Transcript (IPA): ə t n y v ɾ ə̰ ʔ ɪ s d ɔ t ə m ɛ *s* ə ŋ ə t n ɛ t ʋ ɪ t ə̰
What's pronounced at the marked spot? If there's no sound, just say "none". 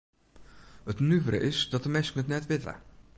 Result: s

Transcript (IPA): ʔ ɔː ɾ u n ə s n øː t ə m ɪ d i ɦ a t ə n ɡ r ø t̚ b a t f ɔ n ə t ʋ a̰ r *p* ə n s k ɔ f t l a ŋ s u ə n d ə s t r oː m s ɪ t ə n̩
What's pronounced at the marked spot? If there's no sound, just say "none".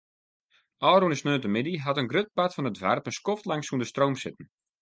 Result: p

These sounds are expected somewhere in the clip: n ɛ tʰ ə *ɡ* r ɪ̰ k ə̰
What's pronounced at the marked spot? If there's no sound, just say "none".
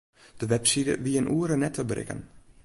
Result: b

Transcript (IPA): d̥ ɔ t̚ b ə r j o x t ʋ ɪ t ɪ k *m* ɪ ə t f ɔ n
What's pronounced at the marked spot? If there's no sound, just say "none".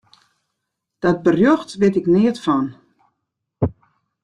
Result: n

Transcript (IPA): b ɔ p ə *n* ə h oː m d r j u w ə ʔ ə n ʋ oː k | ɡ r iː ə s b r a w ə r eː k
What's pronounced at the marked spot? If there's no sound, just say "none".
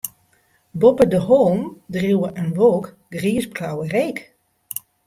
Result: d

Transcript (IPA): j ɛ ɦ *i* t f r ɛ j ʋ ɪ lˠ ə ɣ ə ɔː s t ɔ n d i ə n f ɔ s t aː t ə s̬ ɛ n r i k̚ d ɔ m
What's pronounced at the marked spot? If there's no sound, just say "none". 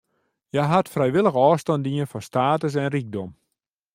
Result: a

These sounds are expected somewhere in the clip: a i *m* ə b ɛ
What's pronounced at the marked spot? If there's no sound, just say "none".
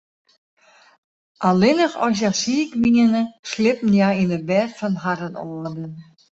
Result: n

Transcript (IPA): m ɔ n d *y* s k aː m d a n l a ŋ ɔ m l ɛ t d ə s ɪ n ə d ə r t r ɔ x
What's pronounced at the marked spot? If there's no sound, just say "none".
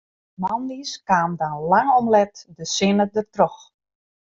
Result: i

